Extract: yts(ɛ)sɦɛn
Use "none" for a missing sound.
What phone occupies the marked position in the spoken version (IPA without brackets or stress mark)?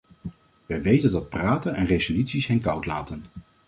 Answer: i